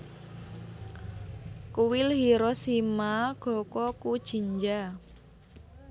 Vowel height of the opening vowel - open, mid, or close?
close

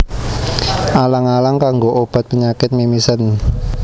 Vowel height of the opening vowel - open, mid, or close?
open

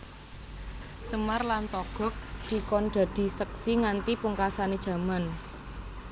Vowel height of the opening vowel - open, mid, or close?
mid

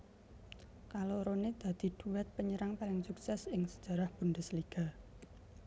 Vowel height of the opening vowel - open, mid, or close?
open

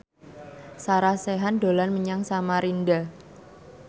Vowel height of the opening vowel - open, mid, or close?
open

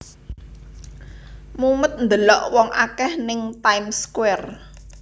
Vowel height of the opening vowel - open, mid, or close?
close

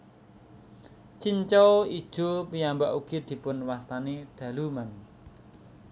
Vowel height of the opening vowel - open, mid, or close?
close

